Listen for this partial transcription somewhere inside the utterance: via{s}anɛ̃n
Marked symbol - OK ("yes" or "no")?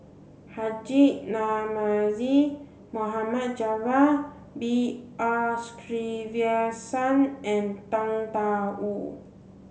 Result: yes